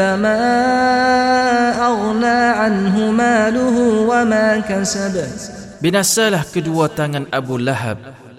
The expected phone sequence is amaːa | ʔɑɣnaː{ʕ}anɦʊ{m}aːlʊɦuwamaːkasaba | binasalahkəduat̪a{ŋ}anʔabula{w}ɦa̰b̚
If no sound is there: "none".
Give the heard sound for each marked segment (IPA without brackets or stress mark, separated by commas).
ʕ, m, ŋ, none